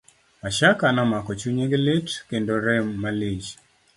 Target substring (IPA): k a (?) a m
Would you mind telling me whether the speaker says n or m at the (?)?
n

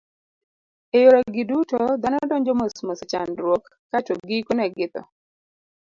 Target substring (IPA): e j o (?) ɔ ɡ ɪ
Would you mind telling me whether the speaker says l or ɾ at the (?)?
ɾ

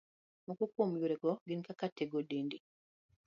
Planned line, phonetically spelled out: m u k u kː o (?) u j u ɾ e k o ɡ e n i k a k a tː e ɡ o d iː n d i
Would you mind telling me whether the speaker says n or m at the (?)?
m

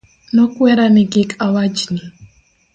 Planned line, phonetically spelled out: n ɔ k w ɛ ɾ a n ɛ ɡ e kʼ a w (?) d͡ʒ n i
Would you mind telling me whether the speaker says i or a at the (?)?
a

